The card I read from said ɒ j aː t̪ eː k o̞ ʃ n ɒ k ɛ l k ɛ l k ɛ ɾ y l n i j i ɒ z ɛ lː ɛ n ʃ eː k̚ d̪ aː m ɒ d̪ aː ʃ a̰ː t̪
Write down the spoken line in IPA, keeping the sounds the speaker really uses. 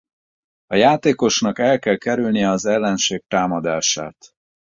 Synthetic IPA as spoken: ɒ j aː t̪ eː k o̞ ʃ n ɒ k ɛ l k ɛ l k ɛ ɾ y l n i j ɛ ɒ z ɛ lː ɛ n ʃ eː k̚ t̪ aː m ɒ d̪ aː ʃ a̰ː t̪